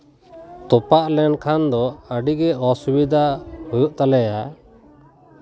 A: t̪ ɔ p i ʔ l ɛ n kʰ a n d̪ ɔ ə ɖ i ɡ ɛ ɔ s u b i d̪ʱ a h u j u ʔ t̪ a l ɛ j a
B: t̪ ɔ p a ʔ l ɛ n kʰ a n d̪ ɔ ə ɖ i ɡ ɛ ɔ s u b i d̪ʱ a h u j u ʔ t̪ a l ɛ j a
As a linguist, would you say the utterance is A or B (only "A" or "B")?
B